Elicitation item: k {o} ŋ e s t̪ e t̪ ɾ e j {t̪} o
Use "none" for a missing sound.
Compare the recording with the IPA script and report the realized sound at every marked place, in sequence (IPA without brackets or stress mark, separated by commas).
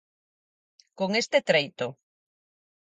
o, t̪